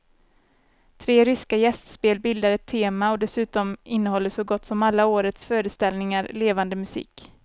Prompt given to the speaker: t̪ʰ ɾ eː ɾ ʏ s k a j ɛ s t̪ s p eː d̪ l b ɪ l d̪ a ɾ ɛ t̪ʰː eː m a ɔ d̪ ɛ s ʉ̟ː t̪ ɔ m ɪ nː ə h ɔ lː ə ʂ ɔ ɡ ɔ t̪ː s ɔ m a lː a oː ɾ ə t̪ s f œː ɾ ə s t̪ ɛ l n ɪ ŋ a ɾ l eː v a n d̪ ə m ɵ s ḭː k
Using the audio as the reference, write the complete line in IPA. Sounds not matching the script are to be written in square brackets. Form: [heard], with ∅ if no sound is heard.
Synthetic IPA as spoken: t̪ʰ ɾ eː ɾ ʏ s k a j ɛ s t̪ s p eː [∅] l b ɪ l d̪ a ɾ ɛ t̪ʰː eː m a ɔ d̪ ɛ s ʉ̟ː t̪ ɔ m ɪ nː ə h ɔ lː ə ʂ ɔ ɡ ɔ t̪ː s ɔ m a lː a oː ɾ ə t̪ s f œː ɾ ə s t̪ ɛ l n ɪ ŋ a ɾ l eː v a n d̪ ə m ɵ s ḭː k